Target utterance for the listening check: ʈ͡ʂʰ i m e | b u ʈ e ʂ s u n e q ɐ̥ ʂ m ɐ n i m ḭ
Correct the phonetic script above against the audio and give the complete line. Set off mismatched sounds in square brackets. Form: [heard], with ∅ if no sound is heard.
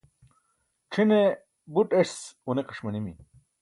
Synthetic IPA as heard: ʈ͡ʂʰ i [n] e | b u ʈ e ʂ s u n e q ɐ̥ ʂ m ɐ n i m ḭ

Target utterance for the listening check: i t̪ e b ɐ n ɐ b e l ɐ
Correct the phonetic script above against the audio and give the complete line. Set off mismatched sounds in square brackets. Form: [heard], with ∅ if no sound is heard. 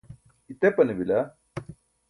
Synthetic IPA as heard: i t̪ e [p] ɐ n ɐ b [i] l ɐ

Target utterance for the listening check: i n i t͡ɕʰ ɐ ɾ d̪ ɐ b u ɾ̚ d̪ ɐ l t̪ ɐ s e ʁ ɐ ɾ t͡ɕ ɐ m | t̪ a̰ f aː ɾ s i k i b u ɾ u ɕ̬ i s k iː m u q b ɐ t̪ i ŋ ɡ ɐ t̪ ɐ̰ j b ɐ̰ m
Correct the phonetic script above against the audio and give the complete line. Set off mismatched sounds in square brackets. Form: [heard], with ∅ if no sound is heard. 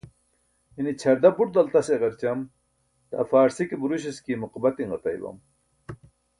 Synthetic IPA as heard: i n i t͡ɕʰ ɐ ɾ d̪ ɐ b u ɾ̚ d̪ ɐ l t̪ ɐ s e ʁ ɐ ɾ t͡ɕ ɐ m | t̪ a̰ f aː ɾ s i k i b u ɾ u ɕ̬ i s k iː m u q b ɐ t̪ i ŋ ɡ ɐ t̪ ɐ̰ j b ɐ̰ m

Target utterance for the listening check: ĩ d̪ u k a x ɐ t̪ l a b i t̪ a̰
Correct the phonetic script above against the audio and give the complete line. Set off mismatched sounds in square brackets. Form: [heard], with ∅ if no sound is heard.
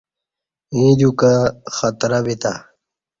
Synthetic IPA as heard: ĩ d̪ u k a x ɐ t̪ [ɾ] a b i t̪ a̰

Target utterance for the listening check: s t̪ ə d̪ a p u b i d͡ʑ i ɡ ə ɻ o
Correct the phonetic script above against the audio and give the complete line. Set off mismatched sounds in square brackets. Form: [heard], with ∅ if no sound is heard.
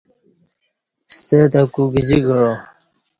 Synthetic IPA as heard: s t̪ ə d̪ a [k] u [ɡ] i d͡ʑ i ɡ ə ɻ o

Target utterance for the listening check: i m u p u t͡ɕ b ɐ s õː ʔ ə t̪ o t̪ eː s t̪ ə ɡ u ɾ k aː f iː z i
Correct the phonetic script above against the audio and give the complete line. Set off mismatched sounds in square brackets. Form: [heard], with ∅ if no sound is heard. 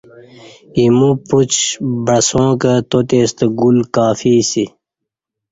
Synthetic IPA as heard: i m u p u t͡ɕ b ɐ s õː [k] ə t̪ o t̪ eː s t̪ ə ɡ u [l] k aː f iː [s] i

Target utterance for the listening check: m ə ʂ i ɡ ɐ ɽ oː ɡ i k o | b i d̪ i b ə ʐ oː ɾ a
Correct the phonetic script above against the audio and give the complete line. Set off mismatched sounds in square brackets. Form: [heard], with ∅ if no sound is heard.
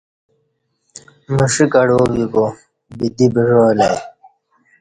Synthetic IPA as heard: m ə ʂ i [k] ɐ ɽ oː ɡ i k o | b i d̪ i b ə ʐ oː [l] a

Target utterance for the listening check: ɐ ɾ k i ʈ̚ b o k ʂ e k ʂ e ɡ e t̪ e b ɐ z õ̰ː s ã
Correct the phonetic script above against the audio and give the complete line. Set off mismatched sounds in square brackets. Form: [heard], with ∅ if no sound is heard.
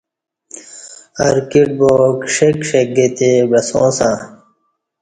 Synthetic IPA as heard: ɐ ɾ k i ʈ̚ b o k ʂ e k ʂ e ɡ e t̪ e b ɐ [s] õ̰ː s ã

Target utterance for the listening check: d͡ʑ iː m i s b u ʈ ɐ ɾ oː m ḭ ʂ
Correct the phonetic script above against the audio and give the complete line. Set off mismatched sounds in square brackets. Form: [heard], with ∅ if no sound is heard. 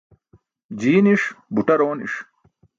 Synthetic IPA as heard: d͡ʑ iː [n] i [ʂ] b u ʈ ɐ ɾ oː [n] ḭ ʂ

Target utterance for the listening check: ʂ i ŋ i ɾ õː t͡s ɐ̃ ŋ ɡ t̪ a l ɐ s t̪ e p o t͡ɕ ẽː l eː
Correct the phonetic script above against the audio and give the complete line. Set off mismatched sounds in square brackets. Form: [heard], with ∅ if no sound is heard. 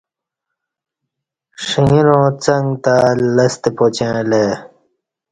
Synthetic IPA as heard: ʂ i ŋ i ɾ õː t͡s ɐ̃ ŋ ɡ t̪ a l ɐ s t̪ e p o t͡ɕ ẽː l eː

